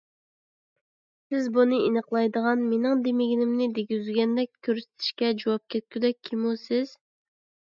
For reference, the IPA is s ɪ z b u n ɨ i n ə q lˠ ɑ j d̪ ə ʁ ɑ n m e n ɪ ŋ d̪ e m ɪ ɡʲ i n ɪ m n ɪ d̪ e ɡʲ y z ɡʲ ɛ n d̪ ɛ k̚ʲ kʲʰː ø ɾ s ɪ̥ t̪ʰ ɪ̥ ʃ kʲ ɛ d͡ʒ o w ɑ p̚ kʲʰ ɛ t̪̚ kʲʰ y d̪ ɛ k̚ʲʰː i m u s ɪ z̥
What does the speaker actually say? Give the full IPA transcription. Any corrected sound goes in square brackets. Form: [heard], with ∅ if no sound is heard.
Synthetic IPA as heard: s ɪ z b u n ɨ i n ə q lˠ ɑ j d̪ ə ʁ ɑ n m e n ɪ ŋ d̪ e m ɪ ɡʲ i n ɪ m n ɪ d̪ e ɡʲ y z ɡʲ ɛ n d̪ ɛ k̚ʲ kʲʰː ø ɾ s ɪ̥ t̪ʰ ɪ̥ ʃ kʲ ɛ d͡ʒ o w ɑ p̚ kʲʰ ɛ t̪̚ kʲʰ y d̪ ɛ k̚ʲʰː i m u s ɪ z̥